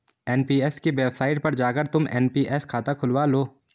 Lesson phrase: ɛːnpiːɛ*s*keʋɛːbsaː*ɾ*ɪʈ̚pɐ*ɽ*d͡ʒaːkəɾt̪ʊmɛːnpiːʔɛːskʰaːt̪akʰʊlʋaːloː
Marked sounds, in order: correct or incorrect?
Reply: correct, incorrect: none, incorrect: ɾ

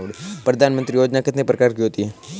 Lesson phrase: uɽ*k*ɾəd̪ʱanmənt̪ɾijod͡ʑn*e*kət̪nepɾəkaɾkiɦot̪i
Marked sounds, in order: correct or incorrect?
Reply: incorrect: p, incorrect: a

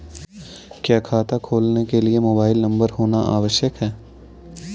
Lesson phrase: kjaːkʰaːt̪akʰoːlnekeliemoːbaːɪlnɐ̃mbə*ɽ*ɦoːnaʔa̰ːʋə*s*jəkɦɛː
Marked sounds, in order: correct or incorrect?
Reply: incorrect: ɾ, incorrect: ʃ

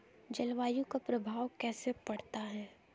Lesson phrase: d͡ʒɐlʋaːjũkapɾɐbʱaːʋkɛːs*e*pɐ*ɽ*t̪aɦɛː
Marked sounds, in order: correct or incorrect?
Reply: correct, correct

